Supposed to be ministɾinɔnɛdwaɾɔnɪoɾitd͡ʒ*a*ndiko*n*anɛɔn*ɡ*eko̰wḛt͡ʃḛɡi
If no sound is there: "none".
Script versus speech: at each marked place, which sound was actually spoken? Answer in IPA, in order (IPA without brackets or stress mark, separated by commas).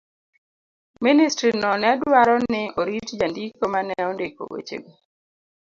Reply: a, m, d